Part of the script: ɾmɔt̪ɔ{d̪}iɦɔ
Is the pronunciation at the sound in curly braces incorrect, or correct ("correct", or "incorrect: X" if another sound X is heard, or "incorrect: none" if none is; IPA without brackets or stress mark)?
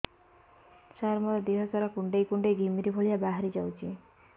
correct